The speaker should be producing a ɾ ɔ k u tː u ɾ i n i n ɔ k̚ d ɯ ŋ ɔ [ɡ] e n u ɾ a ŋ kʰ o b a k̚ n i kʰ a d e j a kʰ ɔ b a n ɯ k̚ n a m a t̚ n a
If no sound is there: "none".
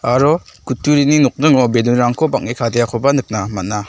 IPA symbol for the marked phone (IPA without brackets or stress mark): b